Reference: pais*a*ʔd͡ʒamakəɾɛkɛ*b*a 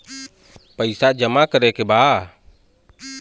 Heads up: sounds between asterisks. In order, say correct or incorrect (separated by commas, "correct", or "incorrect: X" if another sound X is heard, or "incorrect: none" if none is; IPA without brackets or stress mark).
correct, correct